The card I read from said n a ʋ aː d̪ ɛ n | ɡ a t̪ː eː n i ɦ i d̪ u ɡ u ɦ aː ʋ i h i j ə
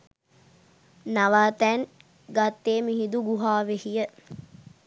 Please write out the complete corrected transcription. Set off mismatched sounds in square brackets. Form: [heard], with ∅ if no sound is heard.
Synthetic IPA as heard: n a ʋ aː [t̪] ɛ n | ɡ a t̪ː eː [m] i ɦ i d̪ u ɡ u ɦ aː ʋ [e] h i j ə

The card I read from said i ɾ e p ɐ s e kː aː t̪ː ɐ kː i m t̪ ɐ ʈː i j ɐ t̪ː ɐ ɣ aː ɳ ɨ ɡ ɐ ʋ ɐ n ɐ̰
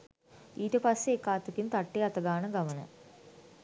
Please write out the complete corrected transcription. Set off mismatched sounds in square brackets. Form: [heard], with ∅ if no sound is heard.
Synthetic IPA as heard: i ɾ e p ɐ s e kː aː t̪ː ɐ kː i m t̪ ɐ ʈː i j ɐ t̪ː ɐ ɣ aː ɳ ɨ ɡ ɐ ʋ ɐ n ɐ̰

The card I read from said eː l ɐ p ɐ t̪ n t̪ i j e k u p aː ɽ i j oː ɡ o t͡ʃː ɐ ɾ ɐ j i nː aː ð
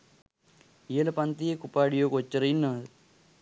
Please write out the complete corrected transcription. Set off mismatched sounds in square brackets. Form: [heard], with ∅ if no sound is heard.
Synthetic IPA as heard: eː l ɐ p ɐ [∅] n t̪ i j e k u p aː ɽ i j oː [k] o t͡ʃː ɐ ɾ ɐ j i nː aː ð

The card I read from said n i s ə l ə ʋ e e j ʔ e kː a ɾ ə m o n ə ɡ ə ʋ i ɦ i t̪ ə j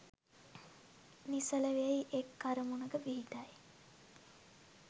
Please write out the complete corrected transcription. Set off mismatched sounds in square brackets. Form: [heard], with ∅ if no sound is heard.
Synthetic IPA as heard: n i s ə l ə ʋ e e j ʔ e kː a ɾ ə m [u] n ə ɡ ə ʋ i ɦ i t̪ [a] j

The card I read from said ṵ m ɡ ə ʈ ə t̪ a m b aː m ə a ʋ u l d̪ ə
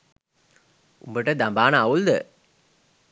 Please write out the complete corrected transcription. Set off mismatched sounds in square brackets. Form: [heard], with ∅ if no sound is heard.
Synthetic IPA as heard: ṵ m [b] ə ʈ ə [d̪] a m b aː [n] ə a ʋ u l d̪ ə

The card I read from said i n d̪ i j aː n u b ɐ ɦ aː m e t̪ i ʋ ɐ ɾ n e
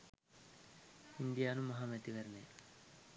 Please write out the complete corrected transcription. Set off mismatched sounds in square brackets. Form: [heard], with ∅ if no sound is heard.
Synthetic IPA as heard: i n d̪ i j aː n u [m] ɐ ɦ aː m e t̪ i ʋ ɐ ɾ n e

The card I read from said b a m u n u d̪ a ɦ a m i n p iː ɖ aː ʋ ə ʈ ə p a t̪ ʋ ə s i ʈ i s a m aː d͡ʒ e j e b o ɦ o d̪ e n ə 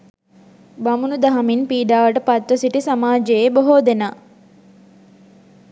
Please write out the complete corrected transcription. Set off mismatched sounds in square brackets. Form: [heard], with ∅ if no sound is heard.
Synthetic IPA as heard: b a m u n u d̪ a ɦ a m i n p iː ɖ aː ʋ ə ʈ ə p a t̪ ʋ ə s i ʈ i s a m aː d͡ʒ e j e b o ɦ o d̪ e n [a]

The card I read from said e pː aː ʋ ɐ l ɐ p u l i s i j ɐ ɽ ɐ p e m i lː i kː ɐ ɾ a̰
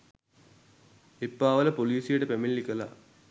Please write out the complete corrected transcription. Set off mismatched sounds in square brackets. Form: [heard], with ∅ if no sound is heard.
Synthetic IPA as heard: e pː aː ʋ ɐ l ɐ p [o] l [iː] s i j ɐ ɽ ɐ p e m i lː i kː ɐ [l] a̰

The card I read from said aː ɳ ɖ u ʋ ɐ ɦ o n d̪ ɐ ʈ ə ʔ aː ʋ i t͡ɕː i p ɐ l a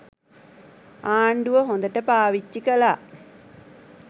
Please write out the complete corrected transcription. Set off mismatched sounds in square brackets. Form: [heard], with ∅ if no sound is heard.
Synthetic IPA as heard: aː ɳ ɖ u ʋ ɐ ɦ o n d̪ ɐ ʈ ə [p] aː ʋ i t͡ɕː i [k] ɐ l a

